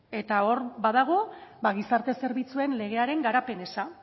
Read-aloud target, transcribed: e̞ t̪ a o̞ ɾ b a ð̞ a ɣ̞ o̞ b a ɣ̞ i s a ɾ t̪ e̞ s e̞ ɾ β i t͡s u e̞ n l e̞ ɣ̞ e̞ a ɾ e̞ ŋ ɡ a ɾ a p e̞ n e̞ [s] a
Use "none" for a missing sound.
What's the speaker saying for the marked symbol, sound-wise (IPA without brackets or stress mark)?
s